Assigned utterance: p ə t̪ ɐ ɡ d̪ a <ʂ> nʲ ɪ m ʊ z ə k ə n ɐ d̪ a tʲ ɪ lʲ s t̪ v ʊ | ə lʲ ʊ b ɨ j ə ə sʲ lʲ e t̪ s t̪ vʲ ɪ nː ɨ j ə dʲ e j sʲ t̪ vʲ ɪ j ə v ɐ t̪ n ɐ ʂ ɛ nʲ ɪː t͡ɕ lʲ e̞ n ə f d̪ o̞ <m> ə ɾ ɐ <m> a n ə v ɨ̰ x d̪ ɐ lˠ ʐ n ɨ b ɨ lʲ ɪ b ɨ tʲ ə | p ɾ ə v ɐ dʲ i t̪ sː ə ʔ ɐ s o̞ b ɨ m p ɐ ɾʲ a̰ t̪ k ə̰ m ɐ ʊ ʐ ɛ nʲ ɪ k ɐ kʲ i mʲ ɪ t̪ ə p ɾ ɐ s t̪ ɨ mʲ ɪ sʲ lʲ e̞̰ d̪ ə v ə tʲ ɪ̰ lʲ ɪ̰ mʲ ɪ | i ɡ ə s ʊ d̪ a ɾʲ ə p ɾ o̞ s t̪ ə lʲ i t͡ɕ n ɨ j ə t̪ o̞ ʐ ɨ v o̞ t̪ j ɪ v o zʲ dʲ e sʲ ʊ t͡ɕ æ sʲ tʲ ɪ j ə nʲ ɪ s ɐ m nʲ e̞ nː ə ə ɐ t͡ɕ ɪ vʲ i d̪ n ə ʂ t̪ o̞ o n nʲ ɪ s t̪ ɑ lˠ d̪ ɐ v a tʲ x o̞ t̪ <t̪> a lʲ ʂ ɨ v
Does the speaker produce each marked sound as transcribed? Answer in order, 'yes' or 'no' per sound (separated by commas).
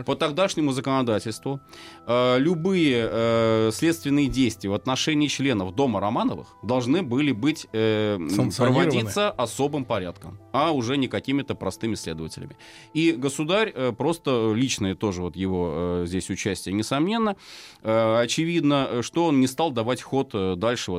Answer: yes, yes, yes, no